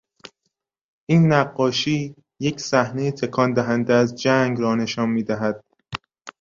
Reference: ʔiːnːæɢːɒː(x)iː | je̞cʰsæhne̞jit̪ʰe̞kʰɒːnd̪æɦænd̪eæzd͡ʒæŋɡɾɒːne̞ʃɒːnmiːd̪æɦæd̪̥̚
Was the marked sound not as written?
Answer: yes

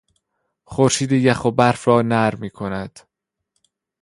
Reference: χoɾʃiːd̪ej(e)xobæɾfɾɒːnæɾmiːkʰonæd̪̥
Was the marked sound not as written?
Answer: yes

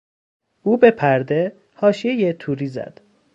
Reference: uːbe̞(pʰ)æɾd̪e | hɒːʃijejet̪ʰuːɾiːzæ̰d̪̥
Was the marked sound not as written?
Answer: no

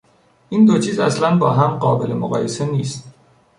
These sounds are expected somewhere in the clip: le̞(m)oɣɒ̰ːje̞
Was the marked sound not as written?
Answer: no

